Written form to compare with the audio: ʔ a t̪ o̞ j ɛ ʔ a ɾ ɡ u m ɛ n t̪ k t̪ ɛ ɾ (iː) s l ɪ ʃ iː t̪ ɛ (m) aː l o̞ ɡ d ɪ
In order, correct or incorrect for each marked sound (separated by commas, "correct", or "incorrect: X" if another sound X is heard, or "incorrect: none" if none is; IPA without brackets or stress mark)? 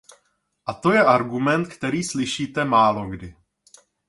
correct, correct